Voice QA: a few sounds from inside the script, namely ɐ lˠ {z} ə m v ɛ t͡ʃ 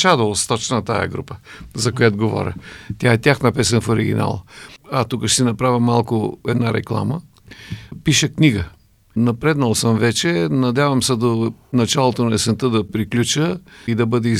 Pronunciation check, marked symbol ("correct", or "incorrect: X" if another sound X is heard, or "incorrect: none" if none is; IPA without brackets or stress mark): incorrect: s